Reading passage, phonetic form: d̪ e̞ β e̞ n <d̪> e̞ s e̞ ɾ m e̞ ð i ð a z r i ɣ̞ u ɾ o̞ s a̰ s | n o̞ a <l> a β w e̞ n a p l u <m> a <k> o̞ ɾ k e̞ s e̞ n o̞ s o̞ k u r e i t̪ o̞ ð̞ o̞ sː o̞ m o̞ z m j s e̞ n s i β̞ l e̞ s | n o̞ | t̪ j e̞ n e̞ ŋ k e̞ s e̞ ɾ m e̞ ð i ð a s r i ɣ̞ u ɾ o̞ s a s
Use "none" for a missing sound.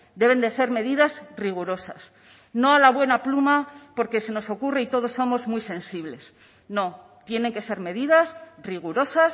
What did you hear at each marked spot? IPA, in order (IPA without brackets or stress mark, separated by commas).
d̪, l, m, p